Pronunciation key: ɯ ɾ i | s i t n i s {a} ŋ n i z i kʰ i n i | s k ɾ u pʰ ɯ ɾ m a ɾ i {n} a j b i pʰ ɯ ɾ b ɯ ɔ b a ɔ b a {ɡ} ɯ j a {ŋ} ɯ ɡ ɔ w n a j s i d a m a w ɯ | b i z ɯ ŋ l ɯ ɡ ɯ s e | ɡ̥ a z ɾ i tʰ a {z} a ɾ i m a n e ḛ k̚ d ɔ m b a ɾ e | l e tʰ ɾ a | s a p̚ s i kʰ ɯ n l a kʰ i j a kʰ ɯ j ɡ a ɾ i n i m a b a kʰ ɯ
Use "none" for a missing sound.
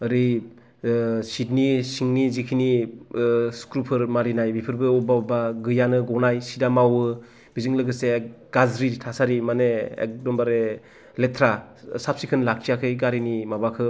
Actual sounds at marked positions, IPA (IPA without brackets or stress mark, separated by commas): i, n, ɡ, n, s